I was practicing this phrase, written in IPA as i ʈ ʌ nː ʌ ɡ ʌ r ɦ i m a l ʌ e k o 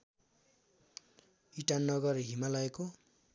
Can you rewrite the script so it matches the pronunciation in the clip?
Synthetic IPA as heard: i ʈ a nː ʌ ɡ ʌ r ɦ i m a l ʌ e k o